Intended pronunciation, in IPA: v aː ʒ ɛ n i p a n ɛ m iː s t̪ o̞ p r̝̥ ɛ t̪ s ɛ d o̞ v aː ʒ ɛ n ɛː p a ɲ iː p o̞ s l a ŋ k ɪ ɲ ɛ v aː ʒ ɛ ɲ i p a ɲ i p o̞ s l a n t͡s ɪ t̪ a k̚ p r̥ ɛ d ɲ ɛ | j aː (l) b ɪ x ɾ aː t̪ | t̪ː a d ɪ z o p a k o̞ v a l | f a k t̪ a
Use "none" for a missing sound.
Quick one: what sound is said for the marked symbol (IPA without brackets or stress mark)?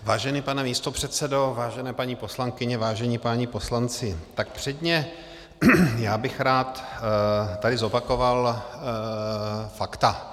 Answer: none